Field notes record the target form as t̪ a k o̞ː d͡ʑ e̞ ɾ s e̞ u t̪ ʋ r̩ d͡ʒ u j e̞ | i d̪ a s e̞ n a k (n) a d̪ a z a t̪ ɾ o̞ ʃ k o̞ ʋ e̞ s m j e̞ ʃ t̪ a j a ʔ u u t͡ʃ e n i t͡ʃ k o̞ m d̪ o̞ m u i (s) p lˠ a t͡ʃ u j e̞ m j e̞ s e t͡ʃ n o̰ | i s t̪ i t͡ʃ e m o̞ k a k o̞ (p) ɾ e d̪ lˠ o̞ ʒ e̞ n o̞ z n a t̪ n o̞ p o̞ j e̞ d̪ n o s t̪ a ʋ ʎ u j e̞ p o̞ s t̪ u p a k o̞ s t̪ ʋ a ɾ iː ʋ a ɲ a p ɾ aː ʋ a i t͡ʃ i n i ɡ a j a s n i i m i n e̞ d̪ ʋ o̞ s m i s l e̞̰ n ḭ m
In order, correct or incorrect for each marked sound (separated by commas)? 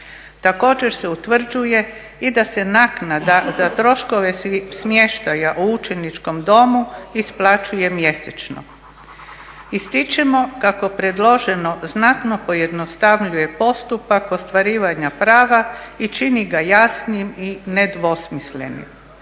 correct, correct, correct